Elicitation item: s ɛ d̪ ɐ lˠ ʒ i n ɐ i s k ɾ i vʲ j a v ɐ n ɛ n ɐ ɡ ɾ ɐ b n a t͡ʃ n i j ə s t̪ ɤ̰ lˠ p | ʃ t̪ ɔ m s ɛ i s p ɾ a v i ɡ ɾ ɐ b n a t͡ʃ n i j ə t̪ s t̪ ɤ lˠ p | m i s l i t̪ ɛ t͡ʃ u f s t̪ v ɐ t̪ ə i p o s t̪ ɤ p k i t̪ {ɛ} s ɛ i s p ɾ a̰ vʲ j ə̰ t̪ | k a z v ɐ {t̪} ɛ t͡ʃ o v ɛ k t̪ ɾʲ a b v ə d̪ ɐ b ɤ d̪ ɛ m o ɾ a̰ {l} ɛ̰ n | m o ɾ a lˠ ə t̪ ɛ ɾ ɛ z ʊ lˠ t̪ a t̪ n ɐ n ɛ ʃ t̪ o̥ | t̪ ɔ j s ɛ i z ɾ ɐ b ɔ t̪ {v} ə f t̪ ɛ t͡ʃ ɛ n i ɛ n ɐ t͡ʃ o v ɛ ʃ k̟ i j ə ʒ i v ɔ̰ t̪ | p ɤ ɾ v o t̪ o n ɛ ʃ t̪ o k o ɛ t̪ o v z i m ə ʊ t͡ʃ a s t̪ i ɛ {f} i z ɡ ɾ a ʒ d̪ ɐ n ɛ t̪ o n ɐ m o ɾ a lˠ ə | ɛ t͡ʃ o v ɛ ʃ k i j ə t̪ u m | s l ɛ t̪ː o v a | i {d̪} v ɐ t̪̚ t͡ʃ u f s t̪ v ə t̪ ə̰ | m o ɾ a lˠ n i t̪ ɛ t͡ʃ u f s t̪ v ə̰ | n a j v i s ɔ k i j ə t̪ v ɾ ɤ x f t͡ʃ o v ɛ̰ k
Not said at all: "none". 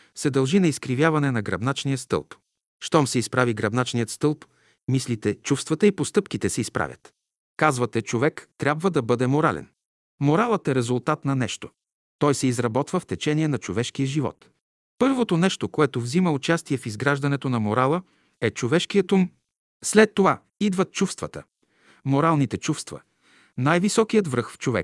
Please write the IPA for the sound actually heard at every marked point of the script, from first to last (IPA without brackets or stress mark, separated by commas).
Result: ɛ, t̪, l, v, f, d̪